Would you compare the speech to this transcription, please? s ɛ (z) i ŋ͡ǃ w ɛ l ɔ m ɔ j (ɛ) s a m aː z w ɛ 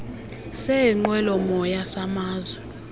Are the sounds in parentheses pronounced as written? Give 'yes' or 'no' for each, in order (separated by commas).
no, no